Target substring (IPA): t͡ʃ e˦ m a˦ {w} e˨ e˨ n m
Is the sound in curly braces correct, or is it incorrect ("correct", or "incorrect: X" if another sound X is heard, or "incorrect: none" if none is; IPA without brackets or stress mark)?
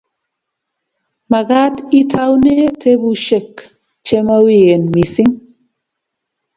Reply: correct